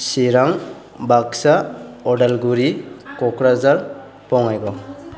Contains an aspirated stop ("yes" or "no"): no